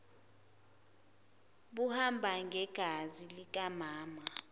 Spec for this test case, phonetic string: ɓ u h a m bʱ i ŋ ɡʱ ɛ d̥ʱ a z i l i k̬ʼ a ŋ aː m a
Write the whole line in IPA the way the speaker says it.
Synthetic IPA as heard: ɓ u h a m bʱ a ŋ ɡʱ ɛ ɡ̥ʱ a z i l i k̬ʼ a m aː m a